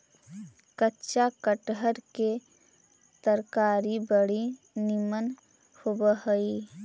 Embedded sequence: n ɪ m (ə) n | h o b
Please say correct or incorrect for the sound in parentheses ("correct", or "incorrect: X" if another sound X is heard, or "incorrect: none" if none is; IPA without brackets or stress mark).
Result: correct